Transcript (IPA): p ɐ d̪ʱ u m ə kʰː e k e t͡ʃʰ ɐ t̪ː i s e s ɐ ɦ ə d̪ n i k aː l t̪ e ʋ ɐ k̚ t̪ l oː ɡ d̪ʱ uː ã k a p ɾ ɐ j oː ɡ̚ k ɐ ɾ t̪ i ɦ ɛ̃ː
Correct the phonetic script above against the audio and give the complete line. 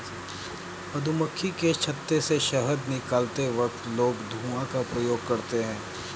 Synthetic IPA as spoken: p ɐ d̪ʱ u m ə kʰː i k e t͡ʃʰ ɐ t̪ː e s e ʃ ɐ ɦ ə d̪ n ɪ k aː l t̪ e ʋ ɐ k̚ t̪ l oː ɡ d̪ʱ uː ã k a p ɾ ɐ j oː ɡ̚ k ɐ ɾ t̪ e ɦ ɛ̃ː